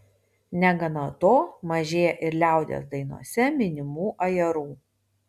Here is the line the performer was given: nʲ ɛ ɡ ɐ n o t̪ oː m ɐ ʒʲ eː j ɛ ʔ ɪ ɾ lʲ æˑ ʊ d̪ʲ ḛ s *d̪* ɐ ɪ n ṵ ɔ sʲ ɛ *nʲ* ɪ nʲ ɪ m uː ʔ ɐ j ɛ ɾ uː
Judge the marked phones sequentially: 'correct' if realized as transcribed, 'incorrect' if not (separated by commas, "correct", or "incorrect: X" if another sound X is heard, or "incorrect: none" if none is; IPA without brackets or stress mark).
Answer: correct, incorrect: mʲ